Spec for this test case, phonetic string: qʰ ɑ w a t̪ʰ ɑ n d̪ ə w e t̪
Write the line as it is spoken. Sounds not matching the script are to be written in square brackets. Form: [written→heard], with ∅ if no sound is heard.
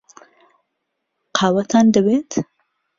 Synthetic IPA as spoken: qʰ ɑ w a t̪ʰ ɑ n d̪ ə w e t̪